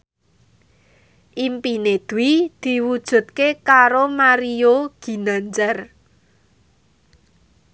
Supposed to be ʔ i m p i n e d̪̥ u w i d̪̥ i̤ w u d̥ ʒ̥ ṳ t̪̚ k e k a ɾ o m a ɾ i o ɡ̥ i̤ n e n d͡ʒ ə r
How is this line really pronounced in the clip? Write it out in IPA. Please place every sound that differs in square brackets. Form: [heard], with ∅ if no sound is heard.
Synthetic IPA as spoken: ʔ i m p i n e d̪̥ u w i d̪̥ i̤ w u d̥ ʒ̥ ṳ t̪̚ k e k a ɾ o m a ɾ i o ɡ̥ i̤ n [a] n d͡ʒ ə r